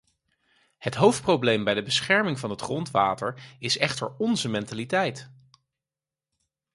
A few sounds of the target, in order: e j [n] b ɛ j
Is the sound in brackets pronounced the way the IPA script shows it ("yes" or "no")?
no